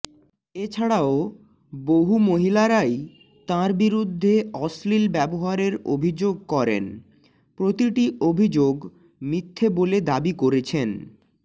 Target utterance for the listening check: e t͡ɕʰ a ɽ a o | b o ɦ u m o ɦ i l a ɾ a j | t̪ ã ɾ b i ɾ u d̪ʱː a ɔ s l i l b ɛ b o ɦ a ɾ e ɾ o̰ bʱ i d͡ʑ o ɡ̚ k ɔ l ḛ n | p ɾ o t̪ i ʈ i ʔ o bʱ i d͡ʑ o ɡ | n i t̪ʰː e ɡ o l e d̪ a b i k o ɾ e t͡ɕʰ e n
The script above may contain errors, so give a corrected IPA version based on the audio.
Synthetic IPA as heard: e t͡ɕʰ a ɽ a o | b o ɦ u m o ɦ i l a ɾ a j | t̪ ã ɾ b i ɾ u d̪ʱː e ɔ s l i l b ɛ b o ɦ a ɾ e ɾ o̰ bʱ i d͡ʑ o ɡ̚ k ɔ ɾ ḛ n | p ɾ o t̪ i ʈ i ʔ o bʱ i d͡ʑ o ɡ | m i t̪ʰː e b o l e d̪ a b i k o ɾ e t͡ɕʰ e n